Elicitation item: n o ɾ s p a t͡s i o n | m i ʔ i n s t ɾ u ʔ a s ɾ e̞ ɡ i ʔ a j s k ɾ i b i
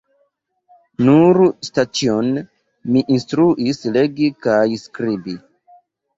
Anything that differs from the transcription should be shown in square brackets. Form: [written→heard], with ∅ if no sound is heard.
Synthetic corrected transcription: n [o→u] ɾ s [p→t] a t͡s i o n | m i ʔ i n s t ɾ u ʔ [a→i] s [ɾ→l] e̞ ɡ i [ʔ→k] a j s k ɾ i b i

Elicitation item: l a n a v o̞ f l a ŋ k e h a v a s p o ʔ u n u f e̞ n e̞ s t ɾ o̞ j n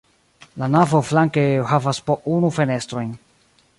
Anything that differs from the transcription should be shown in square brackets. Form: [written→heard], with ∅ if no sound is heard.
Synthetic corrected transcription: l a n a v o̞ f l a ŋ k e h a v a s p o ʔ u n u f e̞ n e̞ s t ɾ o̞ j n

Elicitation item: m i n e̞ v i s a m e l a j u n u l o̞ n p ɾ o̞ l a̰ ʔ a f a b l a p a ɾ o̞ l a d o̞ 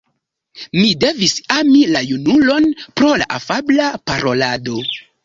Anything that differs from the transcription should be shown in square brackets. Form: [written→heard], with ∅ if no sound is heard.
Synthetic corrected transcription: m i [n→d] e̞ v i s a m [e→i] l a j u n u l o̞ n p ɾ o̞ l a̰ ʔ a f a b l a p a ɾ o̞ l a d o̞

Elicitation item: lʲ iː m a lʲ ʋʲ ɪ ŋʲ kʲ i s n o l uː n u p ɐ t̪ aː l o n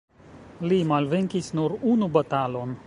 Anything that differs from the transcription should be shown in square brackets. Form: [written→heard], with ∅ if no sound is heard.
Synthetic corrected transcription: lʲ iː m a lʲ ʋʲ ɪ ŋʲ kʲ i s n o [l→ɾ] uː n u [p→b] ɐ t̪ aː l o n

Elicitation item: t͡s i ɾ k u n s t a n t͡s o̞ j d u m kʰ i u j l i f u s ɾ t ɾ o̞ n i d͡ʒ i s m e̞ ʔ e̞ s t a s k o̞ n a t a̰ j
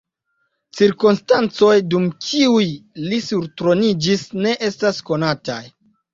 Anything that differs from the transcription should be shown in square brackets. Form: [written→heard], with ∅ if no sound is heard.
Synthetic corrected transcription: t͡s i ɾ k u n s t a n t͡s o̞ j d u m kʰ i u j l i [f→s] u [s→∅] ɾ t ɾ o̞ n i d͡ʒ i s [m→n] e̞ ʔ e̞ s t a s k o̞ n a t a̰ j

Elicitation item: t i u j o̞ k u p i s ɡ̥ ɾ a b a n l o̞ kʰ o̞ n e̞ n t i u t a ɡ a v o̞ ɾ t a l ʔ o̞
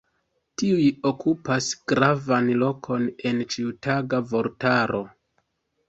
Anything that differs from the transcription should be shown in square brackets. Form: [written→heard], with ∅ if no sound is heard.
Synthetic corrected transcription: t i u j o̞ k u p [i→a] s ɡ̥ ɾ a [b→v] a n l o̞ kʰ o̞ n e̞ n [t→t͡ʃ] i u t a ɡ a v o̞ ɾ t a [l→ɾ] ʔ o̞

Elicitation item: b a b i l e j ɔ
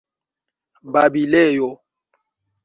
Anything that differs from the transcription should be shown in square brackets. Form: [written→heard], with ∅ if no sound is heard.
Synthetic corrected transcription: b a b i l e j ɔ

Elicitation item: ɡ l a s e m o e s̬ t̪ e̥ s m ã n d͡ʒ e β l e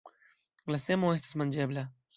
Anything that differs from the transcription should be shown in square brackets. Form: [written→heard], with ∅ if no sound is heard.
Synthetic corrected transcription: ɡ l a s e m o e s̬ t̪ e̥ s m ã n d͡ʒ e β l [e→a]

